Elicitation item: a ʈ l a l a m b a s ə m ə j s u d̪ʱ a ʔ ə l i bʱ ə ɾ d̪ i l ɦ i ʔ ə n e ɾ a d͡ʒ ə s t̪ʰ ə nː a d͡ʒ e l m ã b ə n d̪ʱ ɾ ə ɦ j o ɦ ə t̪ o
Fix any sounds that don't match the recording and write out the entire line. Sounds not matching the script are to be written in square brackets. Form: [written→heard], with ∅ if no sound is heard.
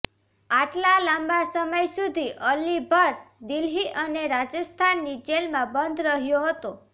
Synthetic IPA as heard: a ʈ l a l a m b a s ə m ə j s u d̪ʱ [a→i] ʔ ə l i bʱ ə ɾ d̪ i l ɦ i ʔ ə n e ɾ a d͡ʒ ə s t̪ʰ [ə→a] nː [a→i] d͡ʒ e l m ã b ə n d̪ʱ ɾ ə ɦ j o ɦ ə t̪ o